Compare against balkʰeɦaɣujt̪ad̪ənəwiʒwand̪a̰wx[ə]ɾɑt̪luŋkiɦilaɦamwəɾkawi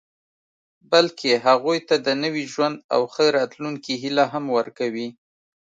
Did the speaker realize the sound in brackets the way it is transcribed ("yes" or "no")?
yes